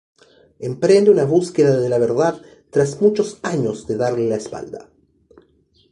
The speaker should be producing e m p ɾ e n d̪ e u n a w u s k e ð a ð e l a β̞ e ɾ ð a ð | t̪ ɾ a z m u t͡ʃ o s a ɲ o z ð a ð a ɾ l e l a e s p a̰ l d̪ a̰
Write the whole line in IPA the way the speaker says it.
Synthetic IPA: e m p ɾ e n d̪ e u n a β u s k e ð a ð e l a β̞ e ɾ ð a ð | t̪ ɾ a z m u t͡ʃ o s a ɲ o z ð e ð a ɾ l e l a e s p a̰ l d̪ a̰